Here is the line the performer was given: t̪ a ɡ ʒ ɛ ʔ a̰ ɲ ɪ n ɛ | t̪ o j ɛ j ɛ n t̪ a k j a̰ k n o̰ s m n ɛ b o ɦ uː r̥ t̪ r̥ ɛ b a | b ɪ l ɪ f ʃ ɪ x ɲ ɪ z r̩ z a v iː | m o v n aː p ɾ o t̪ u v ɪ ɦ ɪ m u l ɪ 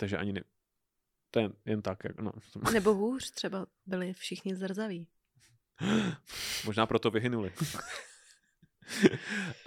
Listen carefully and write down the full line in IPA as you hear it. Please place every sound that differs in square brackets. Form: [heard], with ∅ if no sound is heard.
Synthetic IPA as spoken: t̪ a ɡ ʒ ɛ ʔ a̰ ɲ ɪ n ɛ | t̪ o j ɛ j ɛ n t̪ a k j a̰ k n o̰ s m n ɛ b o ɦ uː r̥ t̪ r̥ ɛ b a | b ɪ l ɪ f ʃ ɪ x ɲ ɪ z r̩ z a v iː | m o [ʒ] n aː p ɾ o t̪ [o] v ɪ ɦ ɪ [n] u l ɪ